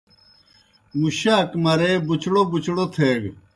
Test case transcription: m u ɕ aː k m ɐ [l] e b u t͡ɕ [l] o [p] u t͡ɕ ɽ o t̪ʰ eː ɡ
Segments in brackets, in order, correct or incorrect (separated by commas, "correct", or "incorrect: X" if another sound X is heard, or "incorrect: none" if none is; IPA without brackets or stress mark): incorrect: ɾ, incorrect: ɽ, incorrect: b